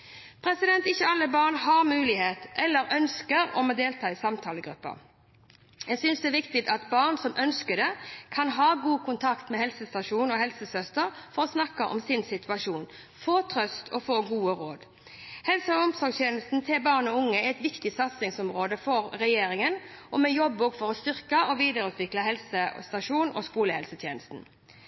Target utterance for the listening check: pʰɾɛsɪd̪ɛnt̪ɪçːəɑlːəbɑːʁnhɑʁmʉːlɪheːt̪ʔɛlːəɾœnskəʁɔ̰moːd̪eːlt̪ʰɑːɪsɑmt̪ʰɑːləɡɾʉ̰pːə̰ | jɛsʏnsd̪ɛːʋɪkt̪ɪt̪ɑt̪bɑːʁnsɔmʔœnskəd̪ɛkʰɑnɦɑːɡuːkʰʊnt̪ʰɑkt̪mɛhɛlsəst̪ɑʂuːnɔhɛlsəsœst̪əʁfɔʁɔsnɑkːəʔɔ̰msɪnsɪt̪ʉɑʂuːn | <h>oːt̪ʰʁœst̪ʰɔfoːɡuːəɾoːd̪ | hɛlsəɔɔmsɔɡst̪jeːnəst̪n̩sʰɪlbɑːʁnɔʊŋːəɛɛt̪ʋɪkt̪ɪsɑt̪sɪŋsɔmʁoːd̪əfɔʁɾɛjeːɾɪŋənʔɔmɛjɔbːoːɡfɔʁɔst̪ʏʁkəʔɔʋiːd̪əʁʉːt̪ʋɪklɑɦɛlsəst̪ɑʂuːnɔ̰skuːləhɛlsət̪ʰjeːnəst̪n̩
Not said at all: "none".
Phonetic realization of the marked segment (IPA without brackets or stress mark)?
f